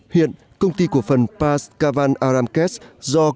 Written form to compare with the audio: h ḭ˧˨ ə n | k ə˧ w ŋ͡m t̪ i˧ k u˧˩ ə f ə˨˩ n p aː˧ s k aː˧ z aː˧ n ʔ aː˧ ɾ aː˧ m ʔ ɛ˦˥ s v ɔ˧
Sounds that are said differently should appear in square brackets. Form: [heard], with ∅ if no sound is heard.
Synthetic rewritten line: h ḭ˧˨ ə n | k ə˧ w ŋ͡m t̪ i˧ k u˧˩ ə f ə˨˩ n p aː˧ s k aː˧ [v] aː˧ n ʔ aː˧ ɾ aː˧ m [k] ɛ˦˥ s [z] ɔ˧